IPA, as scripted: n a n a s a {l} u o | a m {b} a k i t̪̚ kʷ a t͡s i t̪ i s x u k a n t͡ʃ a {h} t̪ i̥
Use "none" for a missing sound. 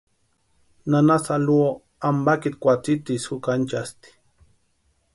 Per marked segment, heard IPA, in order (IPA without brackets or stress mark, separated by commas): l, b, s